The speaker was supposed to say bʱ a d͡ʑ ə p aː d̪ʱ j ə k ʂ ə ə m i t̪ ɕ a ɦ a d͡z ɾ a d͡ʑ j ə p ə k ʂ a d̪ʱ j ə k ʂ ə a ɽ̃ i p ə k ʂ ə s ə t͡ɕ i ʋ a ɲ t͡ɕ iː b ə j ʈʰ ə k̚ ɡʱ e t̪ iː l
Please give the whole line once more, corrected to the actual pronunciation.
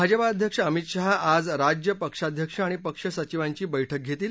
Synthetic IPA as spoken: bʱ a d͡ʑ ə p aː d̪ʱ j ə k ʂ ə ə m i t̪ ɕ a ɦ a d͡z ɾ a d͡ʑ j ə p ə k ʂ a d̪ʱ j ə k ʂ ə a ɽ̃ i p ə k ʂ ə s ə t͡ɕ i ʋ a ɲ t͡ɕ iː b ə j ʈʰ ə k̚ ɡʱ e t̪ iː l